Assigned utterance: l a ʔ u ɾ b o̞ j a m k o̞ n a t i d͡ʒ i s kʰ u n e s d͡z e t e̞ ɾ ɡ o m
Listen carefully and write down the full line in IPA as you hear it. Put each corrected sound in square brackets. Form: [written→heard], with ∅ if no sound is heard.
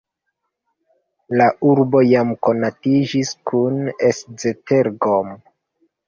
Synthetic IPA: l a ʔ u ɾ b o̞ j a m k o̞ n a t i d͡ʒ i s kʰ u n e s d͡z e t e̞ ɾ ɡ o m